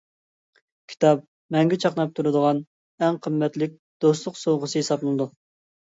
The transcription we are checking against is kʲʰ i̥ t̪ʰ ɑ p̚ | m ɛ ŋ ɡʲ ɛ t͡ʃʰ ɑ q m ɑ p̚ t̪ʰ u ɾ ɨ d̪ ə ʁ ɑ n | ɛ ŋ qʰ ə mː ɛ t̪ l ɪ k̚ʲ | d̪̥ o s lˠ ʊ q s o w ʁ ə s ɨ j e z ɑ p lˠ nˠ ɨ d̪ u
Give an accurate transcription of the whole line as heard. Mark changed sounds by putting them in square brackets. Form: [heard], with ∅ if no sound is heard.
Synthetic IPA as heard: kʲʰ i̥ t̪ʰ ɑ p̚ | m ɛ ŋ ɡʲ ɛ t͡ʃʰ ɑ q [n] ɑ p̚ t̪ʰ u ɾ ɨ d̪ ə ʁ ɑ n | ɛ ŋ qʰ ə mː ɛ t̪ l ɪ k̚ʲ | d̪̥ o s lˠ ʊ q s o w ʁ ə s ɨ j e [s] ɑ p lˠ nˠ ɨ d̪ u